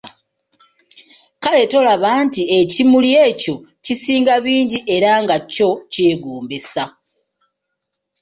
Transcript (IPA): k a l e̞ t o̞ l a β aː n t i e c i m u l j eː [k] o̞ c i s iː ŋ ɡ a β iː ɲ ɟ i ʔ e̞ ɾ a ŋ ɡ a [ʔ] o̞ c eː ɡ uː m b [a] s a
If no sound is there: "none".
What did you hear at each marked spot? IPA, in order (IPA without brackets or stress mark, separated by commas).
c, c, e